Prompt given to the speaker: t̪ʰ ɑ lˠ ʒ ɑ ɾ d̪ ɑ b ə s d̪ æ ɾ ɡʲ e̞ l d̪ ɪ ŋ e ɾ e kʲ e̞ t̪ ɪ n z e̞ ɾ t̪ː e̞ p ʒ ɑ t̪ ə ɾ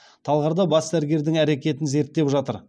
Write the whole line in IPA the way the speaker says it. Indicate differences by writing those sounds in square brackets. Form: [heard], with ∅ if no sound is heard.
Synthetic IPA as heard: t̪ʰ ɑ lˠ [ʁ] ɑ ɾ d̪ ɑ b [ɑ] s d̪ æ ɾ ɡʲ e̞ [ɾ] d̪ ɪ ŋ [æ] ɾ e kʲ e̞ t̪ ɪ n z e̞ ɾ t̪ː e̞ p ʒ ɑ t̪ ə ɾ